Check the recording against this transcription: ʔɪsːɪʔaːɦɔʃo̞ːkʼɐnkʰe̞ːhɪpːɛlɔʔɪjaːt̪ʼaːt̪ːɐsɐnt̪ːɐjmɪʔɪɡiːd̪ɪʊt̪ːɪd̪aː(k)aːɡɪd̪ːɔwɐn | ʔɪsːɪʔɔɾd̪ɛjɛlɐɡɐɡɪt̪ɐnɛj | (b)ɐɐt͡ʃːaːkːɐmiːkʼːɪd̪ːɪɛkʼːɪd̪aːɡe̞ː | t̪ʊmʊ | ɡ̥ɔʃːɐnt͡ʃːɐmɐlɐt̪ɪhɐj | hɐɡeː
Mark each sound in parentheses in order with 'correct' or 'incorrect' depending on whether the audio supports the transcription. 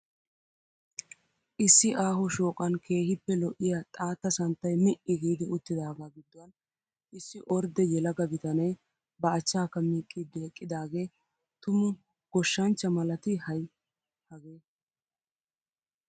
incorrect, correct

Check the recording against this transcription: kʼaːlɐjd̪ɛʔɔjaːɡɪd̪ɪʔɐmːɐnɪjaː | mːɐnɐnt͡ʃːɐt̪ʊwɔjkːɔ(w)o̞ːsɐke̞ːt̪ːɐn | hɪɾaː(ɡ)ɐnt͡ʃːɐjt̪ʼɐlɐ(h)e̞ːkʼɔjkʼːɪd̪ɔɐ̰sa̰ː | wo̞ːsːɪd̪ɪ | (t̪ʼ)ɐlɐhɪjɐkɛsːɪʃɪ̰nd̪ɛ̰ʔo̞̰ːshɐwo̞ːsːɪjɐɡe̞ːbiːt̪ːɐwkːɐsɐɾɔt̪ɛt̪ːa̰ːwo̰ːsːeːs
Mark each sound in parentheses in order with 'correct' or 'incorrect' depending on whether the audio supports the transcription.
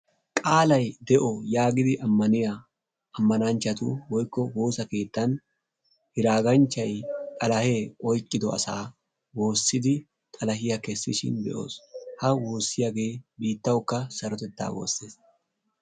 correct, correct, correct, correct

